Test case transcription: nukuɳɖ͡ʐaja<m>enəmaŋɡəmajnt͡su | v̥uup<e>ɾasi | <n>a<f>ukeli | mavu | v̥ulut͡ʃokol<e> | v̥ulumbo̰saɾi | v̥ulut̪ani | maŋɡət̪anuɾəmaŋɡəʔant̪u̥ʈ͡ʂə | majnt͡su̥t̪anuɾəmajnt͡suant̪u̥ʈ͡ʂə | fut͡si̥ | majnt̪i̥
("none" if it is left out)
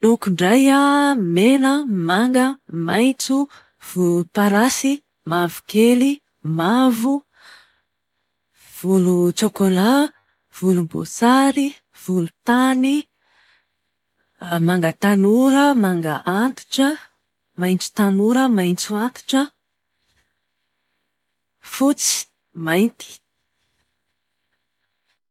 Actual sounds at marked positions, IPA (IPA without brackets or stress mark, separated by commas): m, a, m, v, a